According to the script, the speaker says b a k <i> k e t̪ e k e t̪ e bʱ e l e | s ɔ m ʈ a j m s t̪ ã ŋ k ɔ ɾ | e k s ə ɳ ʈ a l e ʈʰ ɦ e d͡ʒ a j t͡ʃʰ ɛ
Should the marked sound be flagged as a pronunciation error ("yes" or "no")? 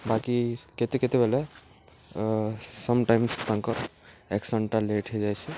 no